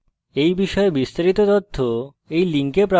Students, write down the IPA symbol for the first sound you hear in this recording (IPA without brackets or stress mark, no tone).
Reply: e